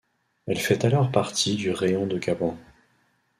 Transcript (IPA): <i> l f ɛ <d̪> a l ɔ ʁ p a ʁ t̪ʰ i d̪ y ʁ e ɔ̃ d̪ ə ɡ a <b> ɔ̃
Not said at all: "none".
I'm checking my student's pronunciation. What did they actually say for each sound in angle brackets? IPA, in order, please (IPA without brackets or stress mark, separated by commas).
ɛ, t̪, b